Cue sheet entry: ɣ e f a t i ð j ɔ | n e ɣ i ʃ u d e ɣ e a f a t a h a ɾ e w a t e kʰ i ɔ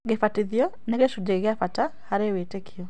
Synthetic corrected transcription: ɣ e f a t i ð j ɔ | n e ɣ e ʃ u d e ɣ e a f a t a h a ɾ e w e t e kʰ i ɔ